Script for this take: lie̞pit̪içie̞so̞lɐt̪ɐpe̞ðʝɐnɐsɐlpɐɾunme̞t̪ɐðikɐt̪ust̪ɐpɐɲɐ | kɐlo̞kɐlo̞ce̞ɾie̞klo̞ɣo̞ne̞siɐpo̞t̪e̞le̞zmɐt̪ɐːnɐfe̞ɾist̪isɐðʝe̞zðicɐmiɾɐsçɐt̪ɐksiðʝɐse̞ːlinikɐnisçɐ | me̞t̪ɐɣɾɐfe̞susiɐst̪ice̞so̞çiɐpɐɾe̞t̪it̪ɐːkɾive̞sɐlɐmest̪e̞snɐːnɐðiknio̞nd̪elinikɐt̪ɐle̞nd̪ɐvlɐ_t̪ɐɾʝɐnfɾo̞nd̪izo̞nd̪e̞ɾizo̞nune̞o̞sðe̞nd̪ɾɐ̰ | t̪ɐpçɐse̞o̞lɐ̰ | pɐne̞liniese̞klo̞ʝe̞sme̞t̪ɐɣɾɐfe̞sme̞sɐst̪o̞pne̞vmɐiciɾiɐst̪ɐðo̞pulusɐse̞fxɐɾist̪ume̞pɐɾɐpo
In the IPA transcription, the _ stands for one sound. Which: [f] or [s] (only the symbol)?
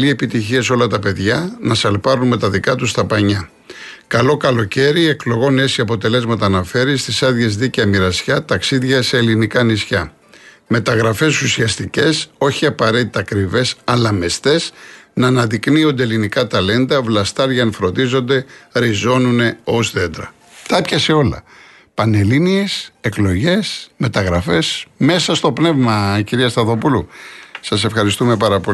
s